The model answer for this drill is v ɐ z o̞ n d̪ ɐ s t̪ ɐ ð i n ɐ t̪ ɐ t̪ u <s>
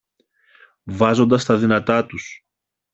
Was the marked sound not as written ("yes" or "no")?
no